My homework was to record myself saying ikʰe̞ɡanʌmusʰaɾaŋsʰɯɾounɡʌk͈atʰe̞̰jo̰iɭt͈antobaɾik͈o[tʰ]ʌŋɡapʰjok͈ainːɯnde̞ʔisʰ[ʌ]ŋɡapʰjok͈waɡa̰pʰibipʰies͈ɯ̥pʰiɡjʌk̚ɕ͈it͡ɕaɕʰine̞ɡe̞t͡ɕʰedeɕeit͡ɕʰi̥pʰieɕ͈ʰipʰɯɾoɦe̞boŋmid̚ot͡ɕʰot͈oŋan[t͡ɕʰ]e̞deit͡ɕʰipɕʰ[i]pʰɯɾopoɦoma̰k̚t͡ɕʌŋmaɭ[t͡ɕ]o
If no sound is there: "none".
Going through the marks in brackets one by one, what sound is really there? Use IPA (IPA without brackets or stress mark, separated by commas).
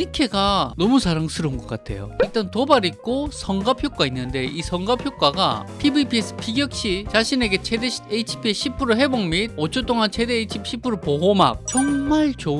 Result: sʰ, ʌ, t͡ɕʰ, i, t͡ɕ